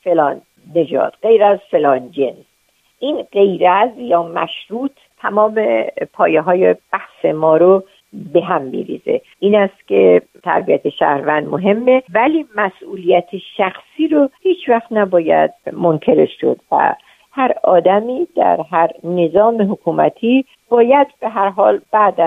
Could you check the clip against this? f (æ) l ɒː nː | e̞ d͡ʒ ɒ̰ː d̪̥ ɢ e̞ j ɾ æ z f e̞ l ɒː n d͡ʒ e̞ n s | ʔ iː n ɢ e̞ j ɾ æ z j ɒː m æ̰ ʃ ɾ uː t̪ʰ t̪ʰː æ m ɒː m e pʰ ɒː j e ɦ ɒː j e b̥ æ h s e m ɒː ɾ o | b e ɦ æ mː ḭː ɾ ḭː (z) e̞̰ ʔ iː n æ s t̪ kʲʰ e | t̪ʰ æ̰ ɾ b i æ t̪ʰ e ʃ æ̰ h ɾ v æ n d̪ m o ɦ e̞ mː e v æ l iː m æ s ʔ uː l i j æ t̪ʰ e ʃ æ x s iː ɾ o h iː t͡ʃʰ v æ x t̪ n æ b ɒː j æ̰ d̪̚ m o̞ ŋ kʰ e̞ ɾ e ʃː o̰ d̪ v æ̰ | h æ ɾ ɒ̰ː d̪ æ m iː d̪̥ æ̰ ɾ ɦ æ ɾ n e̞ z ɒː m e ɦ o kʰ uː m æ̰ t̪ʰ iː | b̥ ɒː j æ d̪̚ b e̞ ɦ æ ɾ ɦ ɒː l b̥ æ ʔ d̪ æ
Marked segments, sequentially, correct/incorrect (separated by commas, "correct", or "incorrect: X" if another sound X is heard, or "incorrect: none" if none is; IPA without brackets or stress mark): incorrect: e, correct